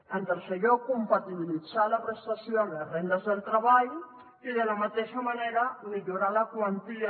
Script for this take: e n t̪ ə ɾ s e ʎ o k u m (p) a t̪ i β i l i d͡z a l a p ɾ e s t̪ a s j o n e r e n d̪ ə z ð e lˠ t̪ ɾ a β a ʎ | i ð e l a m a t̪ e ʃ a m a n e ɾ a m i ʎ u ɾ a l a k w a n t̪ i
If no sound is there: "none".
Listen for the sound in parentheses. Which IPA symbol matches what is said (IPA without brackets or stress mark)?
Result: p